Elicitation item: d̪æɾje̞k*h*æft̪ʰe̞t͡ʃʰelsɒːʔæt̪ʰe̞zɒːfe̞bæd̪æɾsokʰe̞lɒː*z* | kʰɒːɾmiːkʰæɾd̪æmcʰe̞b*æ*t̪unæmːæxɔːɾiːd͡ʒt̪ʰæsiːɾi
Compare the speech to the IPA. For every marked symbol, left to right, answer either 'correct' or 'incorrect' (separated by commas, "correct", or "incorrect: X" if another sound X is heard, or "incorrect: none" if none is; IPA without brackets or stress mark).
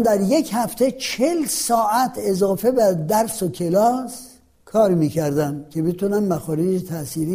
correct, incorrect: s, incorrect: e